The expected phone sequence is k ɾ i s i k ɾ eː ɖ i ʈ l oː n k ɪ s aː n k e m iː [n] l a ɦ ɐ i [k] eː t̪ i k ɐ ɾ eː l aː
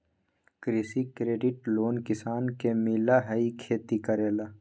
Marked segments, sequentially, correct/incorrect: incorrect, incorrect

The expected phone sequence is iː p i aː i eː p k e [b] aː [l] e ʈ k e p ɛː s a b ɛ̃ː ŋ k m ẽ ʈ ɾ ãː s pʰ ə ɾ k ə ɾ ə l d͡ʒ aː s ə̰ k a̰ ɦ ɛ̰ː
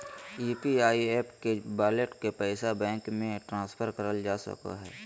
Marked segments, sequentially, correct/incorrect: correct, correct

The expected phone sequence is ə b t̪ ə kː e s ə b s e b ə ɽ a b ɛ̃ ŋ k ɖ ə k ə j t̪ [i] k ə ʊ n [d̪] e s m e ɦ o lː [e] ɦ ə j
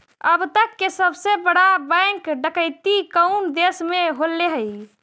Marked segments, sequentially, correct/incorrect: correct, correct, correct

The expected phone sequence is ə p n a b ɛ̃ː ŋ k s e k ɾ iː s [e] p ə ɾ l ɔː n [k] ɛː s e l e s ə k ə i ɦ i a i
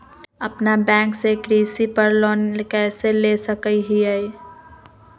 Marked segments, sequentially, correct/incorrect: incorrect, correct

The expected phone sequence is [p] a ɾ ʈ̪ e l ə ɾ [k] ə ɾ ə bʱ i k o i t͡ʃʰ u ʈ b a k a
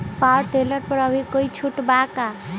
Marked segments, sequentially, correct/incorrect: correct, incorrect

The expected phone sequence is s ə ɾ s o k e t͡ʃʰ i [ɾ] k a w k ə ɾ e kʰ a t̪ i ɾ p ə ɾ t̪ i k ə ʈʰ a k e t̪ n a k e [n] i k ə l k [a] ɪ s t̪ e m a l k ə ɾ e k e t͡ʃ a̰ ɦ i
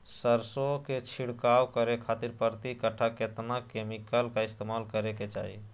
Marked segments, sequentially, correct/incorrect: incorrect, incorrect, correct

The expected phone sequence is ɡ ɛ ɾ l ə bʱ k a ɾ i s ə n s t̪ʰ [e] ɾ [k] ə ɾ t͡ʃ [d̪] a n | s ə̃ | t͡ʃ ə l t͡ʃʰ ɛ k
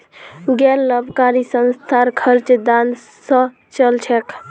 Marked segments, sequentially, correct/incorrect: incorrect, incorrect, correct

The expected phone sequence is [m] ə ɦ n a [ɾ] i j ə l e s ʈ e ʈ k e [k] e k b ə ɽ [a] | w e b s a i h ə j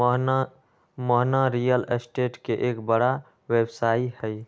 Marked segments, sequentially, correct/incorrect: correct, correct, incorrect, correct

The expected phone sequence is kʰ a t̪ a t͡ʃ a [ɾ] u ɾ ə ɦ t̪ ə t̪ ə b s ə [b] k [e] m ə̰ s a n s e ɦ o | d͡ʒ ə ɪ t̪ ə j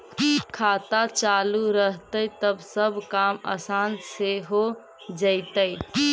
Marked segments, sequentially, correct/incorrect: incorrect, correct, incorrect

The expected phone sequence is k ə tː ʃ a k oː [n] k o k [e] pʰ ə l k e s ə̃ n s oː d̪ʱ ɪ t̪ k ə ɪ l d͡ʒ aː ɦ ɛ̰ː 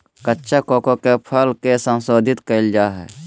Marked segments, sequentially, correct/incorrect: incorrect, correct

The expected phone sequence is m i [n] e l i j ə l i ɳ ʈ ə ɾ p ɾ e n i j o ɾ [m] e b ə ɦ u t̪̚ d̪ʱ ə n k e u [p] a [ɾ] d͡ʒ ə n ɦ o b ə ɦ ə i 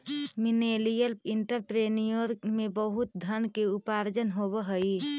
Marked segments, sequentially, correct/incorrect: correct, correct, correct, correct

